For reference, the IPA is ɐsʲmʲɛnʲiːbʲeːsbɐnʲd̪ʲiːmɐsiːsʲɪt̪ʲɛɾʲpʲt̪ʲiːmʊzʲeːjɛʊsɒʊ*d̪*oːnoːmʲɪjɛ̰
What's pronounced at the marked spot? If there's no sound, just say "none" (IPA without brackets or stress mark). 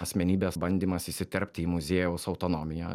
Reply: t̪